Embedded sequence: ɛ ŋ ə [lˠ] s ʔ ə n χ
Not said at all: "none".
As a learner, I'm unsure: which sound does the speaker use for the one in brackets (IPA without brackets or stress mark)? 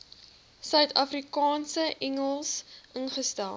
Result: lˠ